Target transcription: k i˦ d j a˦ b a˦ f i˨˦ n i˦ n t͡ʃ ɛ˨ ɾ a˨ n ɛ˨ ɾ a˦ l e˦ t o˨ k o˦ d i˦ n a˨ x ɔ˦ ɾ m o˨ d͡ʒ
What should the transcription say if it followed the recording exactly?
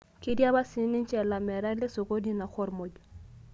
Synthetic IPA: k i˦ d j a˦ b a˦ s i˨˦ n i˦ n t͡ʃ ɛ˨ l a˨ m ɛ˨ ɾ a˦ l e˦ s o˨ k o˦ d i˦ n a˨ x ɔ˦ ɾ m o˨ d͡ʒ